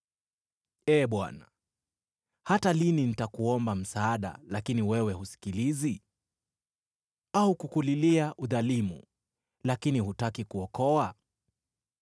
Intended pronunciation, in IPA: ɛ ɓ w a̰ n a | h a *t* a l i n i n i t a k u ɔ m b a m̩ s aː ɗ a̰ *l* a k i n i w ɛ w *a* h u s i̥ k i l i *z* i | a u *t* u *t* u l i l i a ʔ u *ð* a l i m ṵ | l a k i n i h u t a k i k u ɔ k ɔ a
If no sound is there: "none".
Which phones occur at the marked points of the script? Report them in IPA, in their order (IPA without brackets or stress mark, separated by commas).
t, l, ɛ, z, k, k, ð